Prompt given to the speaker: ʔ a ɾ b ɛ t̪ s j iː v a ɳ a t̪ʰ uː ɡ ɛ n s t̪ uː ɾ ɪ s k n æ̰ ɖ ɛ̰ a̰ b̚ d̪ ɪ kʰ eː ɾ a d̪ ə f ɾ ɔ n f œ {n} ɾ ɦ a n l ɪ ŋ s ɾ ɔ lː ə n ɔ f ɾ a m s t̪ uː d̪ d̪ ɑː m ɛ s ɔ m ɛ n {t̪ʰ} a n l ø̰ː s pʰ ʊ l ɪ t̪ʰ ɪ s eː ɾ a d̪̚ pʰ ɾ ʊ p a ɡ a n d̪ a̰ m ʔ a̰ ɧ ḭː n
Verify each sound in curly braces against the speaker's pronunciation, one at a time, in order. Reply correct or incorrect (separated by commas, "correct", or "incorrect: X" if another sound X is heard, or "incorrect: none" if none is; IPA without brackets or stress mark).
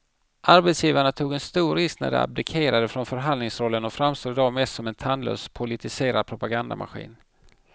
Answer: incorrect: none, correct